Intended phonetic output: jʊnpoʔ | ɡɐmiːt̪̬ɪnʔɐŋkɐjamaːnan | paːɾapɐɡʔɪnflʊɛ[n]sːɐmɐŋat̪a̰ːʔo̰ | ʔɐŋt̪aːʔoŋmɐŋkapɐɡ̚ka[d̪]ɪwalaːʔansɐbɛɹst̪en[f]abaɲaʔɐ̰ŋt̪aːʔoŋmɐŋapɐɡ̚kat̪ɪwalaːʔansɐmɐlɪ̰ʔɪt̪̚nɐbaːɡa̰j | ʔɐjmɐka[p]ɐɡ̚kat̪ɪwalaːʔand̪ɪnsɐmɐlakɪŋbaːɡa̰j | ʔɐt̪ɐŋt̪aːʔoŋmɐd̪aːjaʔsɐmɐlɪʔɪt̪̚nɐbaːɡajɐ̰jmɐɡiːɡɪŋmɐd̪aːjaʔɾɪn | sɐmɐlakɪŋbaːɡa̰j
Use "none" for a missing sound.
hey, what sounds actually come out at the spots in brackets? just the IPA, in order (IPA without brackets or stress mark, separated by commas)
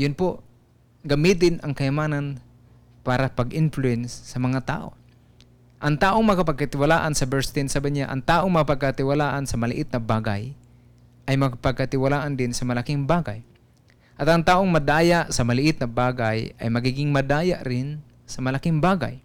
n, t̪, s, p